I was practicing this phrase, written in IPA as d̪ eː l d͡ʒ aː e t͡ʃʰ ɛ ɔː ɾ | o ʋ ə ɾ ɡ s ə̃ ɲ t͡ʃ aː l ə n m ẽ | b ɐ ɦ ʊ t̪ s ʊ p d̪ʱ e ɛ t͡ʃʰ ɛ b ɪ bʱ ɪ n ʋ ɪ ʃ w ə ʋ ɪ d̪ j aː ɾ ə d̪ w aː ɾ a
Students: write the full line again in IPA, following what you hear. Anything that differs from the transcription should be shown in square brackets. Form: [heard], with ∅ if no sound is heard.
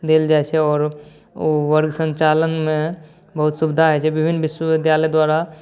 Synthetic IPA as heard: d̪ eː l d͡ʒ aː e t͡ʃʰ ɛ ɔː ɾ | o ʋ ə ɾ ɡ s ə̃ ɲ t͡ʃ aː l ə n m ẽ | b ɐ ɦ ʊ t̪ s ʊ [b] d̪ʱ [a] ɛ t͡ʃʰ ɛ b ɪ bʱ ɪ n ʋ ɪ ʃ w ə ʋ ɪ d̪ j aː [l] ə d̪ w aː ɾ a